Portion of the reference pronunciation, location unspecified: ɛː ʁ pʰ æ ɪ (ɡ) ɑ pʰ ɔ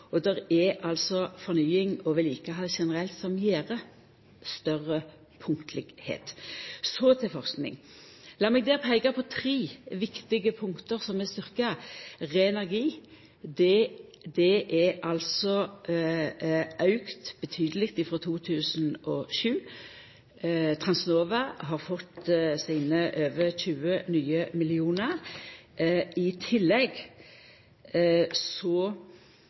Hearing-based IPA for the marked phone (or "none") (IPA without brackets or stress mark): ɡ